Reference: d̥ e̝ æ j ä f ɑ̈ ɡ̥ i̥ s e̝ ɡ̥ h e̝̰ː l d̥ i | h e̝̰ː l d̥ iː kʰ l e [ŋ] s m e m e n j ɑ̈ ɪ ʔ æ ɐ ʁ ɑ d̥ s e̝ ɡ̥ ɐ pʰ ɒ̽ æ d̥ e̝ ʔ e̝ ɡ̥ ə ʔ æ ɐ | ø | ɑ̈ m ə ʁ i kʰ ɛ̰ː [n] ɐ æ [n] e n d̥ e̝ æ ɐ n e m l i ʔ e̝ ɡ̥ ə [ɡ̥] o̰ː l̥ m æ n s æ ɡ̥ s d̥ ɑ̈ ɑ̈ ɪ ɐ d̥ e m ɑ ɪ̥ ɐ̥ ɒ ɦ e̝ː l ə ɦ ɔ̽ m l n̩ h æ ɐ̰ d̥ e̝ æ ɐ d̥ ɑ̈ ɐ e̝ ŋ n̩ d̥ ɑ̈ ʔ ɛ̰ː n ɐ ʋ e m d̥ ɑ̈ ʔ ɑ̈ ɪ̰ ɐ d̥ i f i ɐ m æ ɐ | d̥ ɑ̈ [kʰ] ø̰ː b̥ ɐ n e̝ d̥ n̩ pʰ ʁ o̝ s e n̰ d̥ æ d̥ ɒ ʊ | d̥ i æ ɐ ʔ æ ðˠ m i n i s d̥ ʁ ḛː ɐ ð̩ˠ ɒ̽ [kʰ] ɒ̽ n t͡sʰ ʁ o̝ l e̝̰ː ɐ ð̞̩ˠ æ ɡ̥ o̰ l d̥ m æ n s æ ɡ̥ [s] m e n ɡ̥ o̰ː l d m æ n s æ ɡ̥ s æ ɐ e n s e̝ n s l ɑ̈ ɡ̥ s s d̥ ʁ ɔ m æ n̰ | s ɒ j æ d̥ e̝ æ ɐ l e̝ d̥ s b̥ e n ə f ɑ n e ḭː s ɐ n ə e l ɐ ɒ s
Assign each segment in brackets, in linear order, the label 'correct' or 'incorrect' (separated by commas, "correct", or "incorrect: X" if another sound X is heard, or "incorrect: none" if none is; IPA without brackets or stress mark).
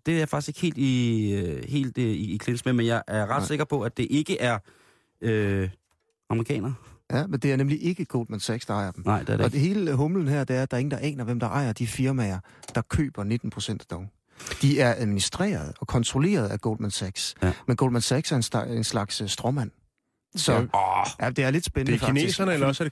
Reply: incorrect: n, correct, incorrect: m, correct, correct, correct, correct